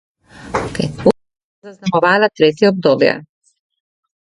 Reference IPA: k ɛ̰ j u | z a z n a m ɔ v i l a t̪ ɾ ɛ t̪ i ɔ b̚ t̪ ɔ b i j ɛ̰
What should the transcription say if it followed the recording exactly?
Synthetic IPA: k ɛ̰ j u | z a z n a m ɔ v a l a t̪ ɾ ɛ t̪ i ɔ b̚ d̪ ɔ b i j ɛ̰